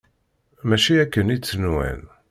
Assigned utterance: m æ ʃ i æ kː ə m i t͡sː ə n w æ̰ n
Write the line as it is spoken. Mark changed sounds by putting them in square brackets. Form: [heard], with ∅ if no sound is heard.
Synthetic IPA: m æ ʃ i æ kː ə [n] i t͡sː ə n w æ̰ n